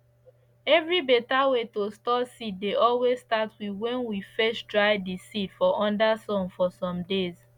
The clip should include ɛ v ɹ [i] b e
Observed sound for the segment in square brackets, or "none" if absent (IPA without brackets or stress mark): i